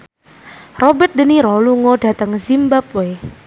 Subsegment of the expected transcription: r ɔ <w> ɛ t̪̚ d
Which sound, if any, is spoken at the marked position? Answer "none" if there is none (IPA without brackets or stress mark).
b